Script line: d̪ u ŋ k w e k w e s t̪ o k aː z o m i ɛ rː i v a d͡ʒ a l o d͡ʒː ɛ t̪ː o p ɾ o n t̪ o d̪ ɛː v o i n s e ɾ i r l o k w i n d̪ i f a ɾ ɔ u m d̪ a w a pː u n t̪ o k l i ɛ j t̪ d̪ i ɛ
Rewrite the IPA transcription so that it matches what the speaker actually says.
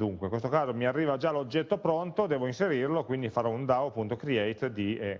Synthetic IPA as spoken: d̪ u ŋ k w e k w e s t̪ o k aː z o m i a rː iː v a d͡ʒ a l o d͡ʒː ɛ t̪ː o p ɾ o n t̪ o d̪ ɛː v o i n s e ɾ i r l o k w i n d̪ i f a ɾ ɔ u n d̪ a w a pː u n t̪ o k ɾ i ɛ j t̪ d̪ i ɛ